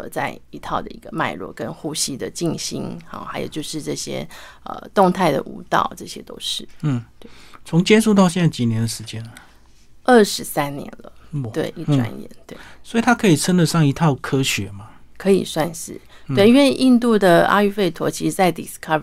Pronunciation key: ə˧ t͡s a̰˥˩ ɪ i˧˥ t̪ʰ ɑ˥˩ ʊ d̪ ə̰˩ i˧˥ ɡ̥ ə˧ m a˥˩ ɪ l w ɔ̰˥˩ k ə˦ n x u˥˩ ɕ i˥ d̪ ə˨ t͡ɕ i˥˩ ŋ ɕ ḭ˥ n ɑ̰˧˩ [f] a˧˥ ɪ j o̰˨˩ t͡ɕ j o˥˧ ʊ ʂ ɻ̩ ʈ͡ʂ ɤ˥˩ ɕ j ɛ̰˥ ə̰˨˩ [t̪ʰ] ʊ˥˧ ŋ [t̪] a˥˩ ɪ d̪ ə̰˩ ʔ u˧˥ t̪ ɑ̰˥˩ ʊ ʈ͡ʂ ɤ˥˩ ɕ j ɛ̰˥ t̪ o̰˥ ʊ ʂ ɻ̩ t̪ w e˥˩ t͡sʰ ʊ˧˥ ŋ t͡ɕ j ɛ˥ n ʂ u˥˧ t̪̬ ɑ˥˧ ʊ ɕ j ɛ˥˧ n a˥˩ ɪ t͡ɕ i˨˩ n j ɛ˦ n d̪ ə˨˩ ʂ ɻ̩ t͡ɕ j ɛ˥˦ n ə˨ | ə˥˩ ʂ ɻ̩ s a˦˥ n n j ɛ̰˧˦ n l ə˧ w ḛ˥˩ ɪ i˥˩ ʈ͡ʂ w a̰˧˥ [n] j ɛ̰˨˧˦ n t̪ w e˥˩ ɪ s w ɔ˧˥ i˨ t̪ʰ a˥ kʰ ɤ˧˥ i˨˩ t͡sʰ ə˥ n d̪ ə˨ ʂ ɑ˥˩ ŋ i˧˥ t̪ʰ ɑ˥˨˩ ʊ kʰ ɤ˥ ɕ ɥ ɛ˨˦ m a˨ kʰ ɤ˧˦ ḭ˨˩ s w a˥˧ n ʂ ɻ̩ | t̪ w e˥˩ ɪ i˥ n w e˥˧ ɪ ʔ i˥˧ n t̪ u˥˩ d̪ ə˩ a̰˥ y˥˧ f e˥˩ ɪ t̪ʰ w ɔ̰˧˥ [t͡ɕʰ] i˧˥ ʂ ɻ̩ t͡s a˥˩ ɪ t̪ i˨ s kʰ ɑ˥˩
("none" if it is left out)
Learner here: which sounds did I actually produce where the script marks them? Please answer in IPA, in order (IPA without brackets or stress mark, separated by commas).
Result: x, t̪, t̪ʰ, n, t͡ɕʰ